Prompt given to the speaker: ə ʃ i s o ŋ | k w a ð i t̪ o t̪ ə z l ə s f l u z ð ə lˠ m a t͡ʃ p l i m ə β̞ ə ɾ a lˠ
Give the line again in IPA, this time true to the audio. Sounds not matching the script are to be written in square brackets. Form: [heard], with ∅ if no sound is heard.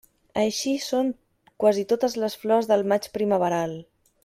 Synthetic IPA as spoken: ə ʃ i s o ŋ | k w a [z] i t̪ o t̪ ə z l ə s f l [ɔ] z ð ə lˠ m a t͡ʃ p [ɾ] i m ə β̞ ə ɾ a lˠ